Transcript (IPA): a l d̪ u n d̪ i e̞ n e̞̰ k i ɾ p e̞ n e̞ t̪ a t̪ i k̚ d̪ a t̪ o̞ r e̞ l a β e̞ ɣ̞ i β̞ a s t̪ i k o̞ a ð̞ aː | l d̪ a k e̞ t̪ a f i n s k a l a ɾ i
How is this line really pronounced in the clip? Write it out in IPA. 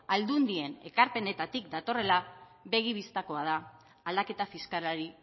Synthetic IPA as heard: a l d̪ u n d̪ i e̞ n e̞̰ k a ɾ p e̞ n e̞ t̪ a t̪ i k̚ d̪ a t̪ o̞ r e̞ l a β e̞ ɣ̞ i β̞ i s t̪ a k o̞ a ð̞ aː | l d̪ a k e̞ t̪ a f i s k a l a ɾ i